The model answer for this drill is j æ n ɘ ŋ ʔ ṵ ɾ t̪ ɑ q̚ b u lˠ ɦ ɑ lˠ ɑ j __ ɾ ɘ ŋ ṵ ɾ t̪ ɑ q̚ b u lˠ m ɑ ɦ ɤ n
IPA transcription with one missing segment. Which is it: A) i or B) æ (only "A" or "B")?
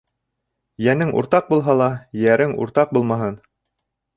B